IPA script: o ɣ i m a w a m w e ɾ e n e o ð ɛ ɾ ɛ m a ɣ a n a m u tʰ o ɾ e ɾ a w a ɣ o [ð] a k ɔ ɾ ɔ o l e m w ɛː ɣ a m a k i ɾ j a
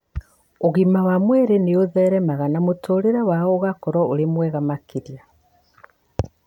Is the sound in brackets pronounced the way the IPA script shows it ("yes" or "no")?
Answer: no